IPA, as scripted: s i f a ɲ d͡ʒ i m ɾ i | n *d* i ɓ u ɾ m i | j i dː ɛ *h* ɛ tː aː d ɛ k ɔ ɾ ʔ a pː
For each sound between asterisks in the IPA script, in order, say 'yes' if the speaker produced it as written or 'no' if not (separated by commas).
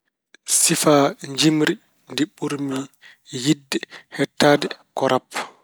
yes, yes